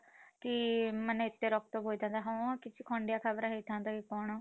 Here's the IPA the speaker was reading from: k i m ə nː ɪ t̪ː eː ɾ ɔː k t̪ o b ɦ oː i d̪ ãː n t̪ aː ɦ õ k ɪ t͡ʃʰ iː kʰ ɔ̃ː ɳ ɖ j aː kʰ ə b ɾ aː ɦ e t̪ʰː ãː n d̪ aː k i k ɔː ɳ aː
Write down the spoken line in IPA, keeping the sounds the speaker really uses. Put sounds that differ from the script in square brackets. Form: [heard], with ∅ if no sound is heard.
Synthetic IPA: k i m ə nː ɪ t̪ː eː ɾ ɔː k t̪ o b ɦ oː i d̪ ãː n [d̪] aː ɦ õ k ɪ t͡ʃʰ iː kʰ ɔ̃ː ɳ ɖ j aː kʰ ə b ɾ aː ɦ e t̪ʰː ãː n d̪ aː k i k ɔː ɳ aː